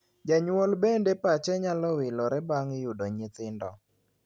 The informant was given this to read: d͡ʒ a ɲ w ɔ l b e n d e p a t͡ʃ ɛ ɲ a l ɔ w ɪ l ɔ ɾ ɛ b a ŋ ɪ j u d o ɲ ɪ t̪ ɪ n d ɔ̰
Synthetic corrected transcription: d͡ʒ a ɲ w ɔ l b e n d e p a t͡ʃ ɛ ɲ a l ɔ w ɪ l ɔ ɾ ɛ b a ŋ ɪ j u d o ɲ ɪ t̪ ɪ n d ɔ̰